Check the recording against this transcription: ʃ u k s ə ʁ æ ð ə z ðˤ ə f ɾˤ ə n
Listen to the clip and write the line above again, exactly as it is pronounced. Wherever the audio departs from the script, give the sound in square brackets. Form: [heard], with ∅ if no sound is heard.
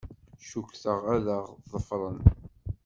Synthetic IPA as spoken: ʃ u k [θ] ə ʁ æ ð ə [ʁ] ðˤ ə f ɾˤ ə n